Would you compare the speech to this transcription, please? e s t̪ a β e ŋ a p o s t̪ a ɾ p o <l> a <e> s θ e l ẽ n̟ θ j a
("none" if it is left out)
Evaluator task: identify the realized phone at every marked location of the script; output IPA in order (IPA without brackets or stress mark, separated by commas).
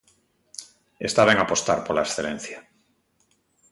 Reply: l, e